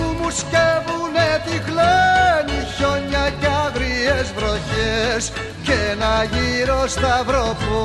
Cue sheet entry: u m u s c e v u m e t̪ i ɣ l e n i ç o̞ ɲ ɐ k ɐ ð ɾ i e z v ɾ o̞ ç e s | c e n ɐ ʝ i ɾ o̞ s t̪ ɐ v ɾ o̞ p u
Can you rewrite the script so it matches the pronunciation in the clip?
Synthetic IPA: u m u s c e v u n e t̪ i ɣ l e n i ç o̞ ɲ ɐ c ɐ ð ɾ i e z v ɾ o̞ ç e s | c e n ɐ ʝ i ɾ o̞ s t̪ ɐ v ɾ o̞ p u